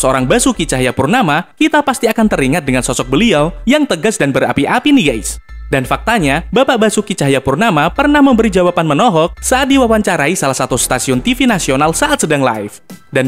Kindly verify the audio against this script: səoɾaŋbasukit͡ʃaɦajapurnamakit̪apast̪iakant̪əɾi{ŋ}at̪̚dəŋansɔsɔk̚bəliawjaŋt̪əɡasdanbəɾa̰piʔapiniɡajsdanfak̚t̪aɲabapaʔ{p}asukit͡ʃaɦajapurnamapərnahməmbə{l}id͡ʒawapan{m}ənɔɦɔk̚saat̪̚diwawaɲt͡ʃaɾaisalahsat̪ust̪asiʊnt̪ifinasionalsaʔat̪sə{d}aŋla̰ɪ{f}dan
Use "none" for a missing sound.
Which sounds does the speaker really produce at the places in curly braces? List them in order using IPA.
ŋ, b, ɾ, m, d, f

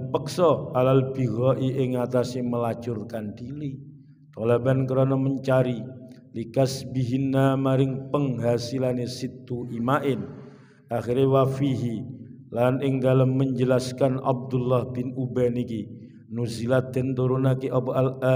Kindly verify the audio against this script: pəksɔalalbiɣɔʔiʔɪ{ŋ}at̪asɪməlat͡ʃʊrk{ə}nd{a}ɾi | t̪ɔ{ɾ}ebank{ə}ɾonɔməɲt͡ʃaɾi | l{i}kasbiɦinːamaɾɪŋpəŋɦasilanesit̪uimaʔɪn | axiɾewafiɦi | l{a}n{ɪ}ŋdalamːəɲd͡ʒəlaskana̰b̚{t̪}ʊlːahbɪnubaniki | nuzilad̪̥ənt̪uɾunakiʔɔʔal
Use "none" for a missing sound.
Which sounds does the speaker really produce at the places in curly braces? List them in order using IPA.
ŋ, a, i, l, ə, i, a, ɪ, d̪

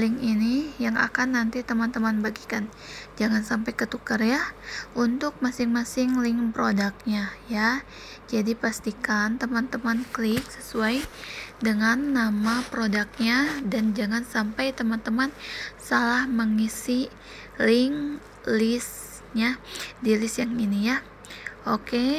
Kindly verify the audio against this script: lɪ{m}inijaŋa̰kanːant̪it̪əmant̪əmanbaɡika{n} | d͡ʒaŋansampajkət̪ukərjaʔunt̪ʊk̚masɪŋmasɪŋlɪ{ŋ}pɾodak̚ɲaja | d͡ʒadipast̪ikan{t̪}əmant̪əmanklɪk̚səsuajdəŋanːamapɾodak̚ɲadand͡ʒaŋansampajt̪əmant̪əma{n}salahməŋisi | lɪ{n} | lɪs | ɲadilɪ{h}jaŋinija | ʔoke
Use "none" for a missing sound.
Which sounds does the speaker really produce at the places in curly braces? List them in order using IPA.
ŋ, n, ŋ, t̪, n, ŋ, s

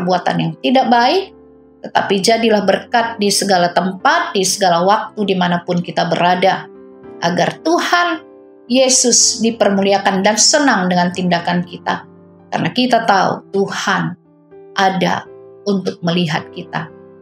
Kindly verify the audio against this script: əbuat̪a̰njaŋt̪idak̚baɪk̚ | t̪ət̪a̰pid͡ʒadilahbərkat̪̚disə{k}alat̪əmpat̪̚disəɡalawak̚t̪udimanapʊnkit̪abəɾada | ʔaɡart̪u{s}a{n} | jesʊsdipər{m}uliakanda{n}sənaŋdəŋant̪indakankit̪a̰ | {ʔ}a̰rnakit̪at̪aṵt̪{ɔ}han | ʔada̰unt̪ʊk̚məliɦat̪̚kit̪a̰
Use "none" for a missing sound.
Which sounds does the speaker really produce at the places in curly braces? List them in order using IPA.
ɡ, h, n, m, n, k, u

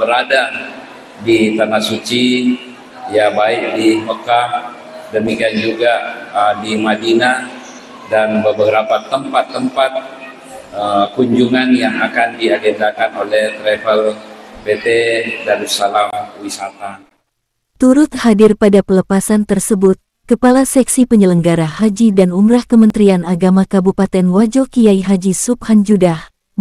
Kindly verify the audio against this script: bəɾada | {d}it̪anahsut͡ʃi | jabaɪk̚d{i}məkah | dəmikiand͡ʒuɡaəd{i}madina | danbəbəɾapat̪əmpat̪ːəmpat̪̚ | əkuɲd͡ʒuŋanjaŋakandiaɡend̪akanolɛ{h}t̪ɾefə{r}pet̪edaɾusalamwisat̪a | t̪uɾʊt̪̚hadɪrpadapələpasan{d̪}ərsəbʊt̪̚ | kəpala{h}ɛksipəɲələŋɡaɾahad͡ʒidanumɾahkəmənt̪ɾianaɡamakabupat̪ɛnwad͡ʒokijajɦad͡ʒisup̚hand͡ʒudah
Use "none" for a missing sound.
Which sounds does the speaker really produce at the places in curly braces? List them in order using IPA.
d, i, i, h, l, t̪, s

